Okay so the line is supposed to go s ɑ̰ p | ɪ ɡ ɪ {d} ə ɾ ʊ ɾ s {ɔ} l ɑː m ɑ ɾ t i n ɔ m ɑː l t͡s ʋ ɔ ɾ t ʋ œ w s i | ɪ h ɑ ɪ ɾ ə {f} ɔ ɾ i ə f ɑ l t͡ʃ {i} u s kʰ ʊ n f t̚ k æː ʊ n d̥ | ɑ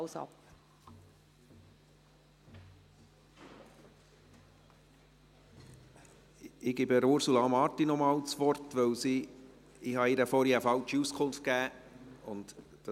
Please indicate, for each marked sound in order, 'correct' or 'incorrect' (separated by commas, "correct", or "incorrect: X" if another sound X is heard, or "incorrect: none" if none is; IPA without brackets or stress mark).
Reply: incorrect: b, incorrect: u, correct, correct